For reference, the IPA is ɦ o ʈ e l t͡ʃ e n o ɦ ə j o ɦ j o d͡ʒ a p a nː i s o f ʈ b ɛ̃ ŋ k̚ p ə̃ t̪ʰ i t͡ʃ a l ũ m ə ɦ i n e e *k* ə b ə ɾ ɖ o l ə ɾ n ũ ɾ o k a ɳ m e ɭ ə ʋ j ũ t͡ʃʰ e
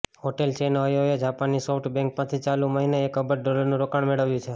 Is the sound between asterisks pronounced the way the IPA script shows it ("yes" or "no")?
yes